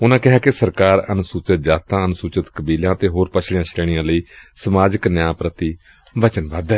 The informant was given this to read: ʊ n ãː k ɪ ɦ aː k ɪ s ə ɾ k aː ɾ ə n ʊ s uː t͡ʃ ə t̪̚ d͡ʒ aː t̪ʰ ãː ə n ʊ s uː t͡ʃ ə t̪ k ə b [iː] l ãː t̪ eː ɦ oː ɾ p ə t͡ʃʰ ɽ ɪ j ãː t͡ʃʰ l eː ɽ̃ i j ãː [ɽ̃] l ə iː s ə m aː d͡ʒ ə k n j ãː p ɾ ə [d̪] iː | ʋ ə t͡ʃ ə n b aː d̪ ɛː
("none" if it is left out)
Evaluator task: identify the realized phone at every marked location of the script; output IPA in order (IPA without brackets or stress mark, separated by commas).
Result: iː, none, t̪